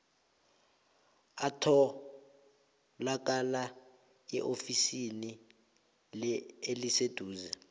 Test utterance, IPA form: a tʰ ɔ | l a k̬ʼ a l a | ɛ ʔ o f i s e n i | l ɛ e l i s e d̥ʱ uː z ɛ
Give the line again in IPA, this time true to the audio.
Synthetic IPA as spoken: a tʰ ɔ | l a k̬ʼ a l a | ɛ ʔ o f i s i n i | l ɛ e l i s e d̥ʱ uː z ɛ